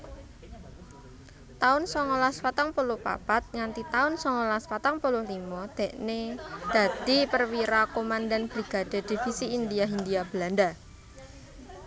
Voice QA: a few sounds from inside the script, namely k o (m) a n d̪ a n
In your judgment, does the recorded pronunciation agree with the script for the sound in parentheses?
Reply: yes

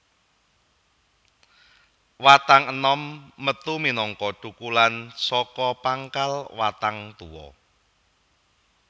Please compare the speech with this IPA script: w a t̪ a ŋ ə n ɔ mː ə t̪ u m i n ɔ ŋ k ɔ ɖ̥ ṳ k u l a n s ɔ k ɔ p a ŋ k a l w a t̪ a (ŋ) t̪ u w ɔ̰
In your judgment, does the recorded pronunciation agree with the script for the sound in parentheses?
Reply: yes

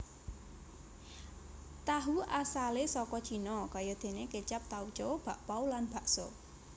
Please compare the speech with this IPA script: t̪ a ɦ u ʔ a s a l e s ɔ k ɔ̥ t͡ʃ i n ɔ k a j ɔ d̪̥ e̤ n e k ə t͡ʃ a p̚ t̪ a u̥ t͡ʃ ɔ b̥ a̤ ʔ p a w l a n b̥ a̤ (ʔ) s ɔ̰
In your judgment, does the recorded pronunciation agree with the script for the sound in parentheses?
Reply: yes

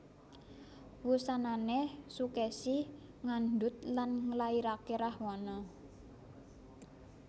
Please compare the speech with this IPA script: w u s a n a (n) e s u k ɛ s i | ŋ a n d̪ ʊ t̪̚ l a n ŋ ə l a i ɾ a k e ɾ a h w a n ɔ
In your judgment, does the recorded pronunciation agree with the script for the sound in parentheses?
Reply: yes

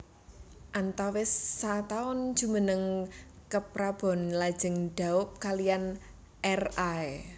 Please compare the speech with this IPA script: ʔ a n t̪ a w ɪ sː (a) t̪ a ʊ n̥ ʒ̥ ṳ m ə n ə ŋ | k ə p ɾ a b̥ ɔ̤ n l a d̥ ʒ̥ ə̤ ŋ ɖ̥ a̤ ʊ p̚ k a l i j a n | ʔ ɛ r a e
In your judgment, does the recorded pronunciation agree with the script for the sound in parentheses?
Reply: yes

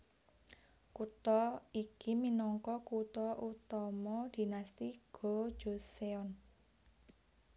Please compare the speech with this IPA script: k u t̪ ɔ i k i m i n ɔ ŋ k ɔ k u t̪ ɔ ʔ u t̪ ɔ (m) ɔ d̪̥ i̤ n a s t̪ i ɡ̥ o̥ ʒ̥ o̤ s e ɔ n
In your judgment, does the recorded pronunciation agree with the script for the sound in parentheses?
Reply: yes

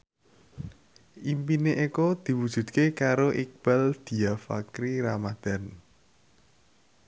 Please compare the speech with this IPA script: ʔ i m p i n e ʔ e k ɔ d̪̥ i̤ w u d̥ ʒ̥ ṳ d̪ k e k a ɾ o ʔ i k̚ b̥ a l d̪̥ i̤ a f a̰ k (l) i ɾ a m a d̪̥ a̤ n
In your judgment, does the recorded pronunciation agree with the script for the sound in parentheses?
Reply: no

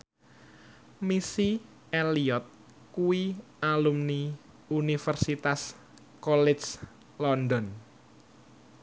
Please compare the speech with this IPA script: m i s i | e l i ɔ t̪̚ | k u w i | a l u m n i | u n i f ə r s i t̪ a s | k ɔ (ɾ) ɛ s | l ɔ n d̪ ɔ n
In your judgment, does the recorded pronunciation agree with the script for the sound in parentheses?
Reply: no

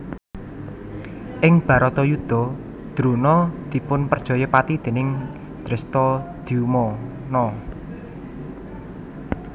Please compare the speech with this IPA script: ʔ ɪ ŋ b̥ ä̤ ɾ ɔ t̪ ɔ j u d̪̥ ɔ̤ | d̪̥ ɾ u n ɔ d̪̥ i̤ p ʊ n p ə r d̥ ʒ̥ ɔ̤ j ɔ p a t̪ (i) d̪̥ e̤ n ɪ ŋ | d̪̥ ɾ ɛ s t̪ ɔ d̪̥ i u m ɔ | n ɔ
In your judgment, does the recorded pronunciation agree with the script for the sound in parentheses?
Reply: yes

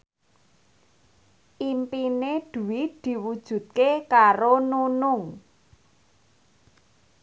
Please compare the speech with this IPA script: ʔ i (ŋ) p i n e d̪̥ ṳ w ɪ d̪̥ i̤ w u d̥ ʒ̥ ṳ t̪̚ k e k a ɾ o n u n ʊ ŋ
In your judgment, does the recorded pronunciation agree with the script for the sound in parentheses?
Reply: no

